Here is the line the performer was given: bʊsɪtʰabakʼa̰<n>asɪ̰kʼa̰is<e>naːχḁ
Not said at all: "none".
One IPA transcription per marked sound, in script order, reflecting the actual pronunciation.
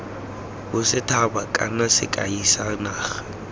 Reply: n, a

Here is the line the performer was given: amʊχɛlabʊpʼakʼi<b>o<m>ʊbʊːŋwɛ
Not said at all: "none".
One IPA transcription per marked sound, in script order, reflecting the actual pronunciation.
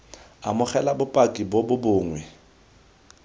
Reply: b, b

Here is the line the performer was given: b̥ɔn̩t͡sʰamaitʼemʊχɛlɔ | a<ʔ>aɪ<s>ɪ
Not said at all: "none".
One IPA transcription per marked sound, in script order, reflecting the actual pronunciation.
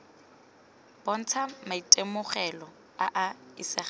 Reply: ʔ, s

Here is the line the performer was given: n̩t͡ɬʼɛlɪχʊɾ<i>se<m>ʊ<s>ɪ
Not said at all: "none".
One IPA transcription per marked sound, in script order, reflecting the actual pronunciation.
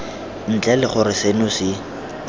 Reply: ɪ, n, s

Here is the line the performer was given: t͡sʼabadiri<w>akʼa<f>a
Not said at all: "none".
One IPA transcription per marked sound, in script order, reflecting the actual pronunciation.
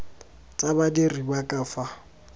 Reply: b, f

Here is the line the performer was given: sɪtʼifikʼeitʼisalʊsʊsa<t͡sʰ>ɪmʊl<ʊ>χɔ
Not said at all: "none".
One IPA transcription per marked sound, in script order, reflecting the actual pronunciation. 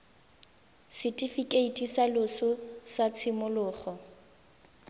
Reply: t͡sʰ, ʊː

